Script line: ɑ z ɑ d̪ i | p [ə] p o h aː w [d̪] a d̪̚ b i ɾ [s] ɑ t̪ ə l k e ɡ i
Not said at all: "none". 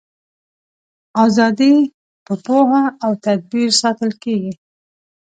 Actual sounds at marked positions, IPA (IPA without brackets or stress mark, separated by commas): ə, t̪, s